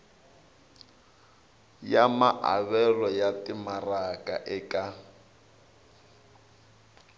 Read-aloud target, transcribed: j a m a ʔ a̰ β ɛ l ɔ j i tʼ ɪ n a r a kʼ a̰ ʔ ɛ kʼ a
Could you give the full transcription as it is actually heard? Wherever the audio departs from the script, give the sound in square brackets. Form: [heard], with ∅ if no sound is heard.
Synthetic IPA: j a m a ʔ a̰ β ɛ l ɔ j [a] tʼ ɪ [m] a r a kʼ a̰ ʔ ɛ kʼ a